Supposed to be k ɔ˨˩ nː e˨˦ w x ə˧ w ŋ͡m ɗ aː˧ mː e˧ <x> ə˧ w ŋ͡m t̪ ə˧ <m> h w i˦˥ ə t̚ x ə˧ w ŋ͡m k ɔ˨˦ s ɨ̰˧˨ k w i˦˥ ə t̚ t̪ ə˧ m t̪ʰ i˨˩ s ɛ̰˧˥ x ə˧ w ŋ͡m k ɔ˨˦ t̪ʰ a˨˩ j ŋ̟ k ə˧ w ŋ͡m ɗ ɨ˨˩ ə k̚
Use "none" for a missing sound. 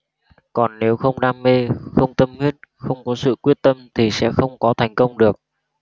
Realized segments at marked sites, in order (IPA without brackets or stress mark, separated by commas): x, m